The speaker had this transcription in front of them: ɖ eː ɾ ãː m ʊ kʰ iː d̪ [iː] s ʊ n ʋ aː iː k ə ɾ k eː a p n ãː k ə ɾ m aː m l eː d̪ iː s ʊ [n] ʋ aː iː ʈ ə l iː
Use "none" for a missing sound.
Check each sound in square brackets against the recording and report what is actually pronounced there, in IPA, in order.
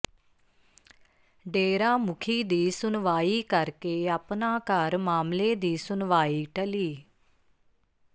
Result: iː, n

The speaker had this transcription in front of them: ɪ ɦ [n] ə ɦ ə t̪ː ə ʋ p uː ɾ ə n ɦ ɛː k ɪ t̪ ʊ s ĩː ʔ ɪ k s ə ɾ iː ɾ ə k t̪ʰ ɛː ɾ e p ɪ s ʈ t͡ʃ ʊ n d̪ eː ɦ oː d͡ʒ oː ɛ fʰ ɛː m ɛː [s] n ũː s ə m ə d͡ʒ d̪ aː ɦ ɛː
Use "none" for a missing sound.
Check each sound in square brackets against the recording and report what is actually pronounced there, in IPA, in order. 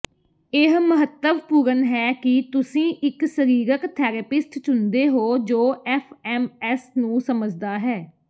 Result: m, s

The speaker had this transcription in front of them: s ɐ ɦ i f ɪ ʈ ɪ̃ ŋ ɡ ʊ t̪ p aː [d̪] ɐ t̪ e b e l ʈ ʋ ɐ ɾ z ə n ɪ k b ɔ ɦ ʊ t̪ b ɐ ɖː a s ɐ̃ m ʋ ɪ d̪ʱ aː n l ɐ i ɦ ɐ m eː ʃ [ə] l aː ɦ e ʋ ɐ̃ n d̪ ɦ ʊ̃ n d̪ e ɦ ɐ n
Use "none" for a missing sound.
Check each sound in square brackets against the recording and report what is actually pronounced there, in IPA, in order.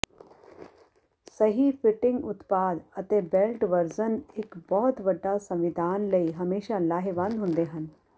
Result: d̪, a

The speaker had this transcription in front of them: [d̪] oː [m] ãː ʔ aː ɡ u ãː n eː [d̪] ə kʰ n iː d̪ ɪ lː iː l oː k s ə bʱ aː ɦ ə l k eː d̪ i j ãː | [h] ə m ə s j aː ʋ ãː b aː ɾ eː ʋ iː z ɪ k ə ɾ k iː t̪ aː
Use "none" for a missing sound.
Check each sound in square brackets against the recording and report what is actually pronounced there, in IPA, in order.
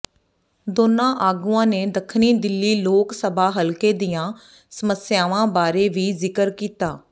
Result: d̪, n, d̪, s

